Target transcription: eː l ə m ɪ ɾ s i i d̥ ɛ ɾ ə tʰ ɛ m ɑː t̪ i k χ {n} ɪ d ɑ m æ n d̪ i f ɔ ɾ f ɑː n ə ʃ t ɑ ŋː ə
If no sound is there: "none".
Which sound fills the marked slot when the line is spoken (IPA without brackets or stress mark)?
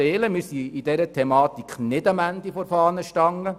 n